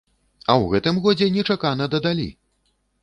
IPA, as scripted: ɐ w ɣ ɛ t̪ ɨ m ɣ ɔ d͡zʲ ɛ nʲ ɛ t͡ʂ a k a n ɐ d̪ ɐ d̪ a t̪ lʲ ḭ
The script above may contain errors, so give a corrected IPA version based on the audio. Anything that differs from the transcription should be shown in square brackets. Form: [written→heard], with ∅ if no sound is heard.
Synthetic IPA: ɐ w ɣ ɛ t̪ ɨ m ɣ ɔ d͡zʲ ɛ nʲ ɛ t͡ʂ a k a n ɐ d̪ ɐ d̪ a [t̪→∅] lʲ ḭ